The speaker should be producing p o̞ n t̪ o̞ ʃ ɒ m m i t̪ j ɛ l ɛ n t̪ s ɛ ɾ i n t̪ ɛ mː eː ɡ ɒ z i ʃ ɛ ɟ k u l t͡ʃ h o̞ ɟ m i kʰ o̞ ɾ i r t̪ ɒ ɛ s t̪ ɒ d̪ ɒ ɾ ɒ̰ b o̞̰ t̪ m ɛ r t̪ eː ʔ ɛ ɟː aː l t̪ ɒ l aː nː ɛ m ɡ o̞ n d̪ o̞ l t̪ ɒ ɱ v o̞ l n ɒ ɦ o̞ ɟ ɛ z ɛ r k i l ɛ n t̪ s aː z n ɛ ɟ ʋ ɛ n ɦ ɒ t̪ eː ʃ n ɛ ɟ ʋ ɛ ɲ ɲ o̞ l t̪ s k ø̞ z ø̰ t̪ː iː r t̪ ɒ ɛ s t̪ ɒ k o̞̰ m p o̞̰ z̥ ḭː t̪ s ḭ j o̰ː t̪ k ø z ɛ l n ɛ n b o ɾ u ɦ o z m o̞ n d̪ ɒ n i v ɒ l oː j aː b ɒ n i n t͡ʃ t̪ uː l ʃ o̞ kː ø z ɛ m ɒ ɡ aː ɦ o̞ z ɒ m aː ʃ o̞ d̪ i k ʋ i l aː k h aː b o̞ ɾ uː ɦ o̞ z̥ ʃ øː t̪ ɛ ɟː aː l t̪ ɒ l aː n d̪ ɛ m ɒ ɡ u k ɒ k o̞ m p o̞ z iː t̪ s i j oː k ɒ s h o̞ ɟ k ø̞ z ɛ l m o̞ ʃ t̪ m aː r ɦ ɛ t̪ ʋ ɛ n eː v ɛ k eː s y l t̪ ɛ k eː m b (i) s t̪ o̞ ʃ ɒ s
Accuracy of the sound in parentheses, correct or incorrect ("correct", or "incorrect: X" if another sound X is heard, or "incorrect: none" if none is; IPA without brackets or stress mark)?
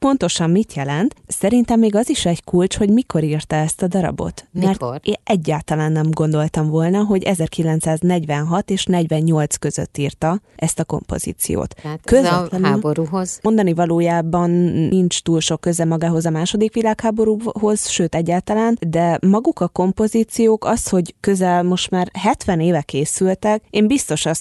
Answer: correct